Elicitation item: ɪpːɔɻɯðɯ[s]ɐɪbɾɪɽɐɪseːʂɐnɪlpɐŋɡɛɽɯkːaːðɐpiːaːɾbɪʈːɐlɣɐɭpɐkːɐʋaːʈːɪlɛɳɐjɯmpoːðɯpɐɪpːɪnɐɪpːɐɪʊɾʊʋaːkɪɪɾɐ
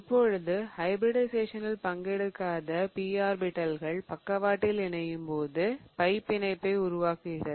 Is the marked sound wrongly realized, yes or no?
yes